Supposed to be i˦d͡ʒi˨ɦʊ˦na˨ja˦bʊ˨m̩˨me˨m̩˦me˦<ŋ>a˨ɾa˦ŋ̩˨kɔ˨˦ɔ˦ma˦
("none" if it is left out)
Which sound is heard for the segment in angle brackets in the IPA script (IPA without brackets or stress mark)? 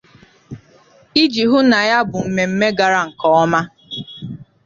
ɡ